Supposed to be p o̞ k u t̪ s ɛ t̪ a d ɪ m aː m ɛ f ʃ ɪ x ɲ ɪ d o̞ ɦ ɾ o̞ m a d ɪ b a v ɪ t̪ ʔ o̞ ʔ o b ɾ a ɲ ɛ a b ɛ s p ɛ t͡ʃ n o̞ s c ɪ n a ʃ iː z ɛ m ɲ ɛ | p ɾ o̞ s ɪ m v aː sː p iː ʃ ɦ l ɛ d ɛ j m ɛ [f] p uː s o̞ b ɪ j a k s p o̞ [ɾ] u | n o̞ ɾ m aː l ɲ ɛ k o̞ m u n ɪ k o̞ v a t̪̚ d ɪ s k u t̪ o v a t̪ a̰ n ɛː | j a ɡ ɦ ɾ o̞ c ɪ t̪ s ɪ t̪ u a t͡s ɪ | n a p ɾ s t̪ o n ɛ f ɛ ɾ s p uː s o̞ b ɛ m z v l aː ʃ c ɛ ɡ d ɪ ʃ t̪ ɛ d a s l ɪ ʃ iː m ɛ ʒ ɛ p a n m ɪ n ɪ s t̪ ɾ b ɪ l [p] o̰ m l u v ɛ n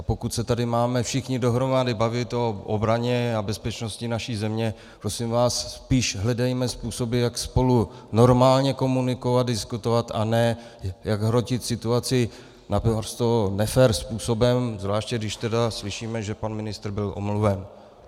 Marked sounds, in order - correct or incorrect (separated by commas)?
incorrect, incorrect, incorrect